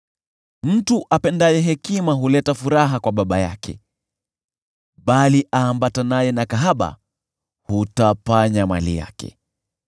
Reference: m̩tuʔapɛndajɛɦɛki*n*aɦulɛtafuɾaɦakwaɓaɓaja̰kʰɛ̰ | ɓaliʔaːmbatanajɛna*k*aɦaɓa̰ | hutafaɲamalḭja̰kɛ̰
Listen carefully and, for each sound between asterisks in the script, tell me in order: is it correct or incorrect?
incorrect: m, correct

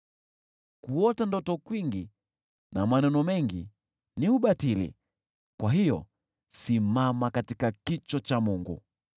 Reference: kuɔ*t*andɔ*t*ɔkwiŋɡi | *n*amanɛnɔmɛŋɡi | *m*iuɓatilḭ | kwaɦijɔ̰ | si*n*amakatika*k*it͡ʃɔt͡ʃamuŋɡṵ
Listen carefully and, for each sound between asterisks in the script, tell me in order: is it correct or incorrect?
correct, correct, correct, incorrect: n, incorrect: m, correct

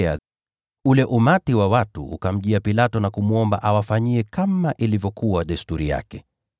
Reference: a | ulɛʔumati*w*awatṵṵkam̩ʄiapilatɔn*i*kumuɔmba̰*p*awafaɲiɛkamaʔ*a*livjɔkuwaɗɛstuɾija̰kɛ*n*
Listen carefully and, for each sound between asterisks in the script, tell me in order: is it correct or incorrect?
correct, incorrect: a, incorrect: ʔ, incorrect: i, incorrect: none

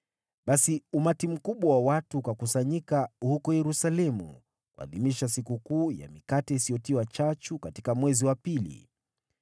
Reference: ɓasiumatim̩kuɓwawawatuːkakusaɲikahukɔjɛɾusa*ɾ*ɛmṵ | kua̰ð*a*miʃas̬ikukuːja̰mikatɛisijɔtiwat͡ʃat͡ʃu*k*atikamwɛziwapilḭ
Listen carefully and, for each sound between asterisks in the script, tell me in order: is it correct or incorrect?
incorrect: l, incorrect: i, correct

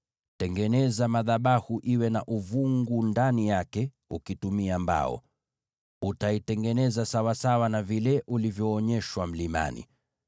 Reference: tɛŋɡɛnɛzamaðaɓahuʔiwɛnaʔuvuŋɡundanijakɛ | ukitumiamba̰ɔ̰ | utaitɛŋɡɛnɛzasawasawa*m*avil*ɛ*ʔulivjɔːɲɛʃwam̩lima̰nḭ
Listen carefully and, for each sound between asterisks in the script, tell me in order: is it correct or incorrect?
incorrect: n, correct

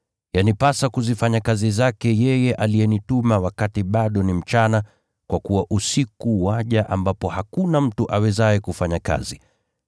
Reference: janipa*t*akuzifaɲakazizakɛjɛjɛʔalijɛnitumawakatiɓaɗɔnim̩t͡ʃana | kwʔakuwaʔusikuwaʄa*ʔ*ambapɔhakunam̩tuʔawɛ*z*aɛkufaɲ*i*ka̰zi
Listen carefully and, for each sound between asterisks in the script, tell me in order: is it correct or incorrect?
incorrect: s, correct, correct, incorrect: a

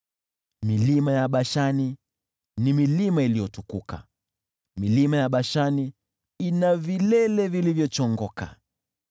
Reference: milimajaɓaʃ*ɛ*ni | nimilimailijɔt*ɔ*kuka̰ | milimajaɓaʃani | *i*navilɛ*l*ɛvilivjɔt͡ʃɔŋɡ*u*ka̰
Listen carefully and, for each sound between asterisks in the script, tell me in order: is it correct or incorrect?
incorrect: a, incorrect: u, correct, correct, incorrect: ɔ

